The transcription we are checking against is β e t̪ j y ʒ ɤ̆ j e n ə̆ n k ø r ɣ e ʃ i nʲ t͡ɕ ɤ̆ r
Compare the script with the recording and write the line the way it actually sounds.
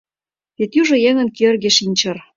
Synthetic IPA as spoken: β e t̪ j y ʒ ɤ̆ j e ŋ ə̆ n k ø r ɣ e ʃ i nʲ t͡ɕ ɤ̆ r